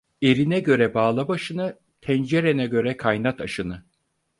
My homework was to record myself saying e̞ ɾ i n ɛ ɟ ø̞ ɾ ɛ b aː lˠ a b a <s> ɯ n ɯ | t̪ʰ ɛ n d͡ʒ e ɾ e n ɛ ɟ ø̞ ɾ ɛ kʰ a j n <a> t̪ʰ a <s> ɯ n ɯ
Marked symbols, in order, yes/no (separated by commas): no, yes, no